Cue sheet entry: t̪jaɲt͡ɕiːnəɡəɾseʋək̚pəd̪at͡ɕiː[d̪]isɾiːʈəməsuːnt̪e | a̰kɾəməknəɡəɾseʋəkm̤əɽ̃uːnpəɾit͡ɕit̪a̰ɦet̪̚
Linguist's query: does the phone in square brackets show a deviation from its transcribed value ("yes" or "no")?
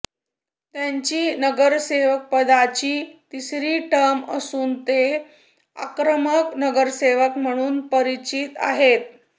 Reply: yes